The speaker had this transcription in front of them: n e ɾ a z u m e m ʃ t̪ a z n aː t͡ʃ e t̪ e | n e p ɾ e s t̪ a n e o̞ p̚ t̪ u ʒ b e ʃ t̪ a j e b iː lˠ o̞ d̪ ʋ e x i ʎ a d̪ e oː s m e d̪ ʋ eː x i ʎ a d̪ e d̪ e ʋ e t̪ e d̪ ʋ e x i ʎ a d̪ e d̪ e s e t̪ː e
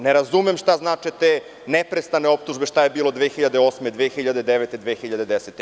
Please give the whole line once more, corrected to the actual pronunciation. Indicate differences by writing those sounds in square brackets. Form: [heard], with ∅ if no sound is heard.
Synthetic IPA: n e ɾ a z u m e m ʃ t̪ a z n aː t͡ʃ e t̪ e | n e p ɾ e s t̪ a n e o̞ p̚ t̪ u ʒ b e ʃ t̪ a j e b iː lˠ o̞ d̪ ʋ e x i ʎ a d̪ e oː s m e d̪ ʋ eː x i ʎ a d̪ e d̪ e ʋ e t̪ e d̪ ʋ e x i ʎ a d̪ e d̪ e s e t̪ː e